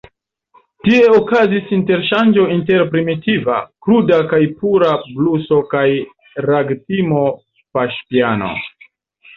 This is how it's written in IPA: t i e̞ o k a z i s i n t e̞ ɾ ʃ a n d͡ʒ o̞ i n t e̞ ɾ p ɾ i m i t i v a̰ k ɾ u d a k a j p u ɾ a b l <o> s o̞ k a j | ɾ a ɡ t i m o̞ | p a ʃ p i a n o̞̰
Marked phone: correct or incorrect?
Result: incorrect